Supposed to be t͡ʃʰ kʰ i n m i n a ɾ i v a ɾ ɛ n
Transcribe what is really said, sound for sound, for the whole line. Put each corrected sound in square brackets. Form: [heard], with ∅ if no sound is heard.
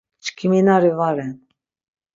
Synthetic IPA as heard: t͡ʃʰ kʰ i [∅] m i n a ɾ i v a ɾ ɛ n